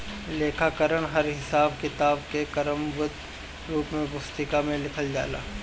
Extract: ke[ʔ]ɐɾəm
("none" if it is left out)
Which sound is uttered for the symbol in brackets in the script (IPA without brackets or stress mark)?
k